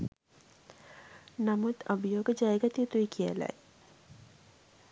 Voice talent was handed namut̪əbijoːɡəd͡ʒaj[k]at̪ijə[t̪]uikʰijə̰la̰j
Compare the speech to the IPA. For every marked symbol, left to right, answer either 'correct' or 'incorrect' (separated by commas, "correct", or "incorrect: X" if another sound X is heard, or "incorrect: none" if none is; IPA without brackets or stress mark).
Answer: incorrect: ɡ, correct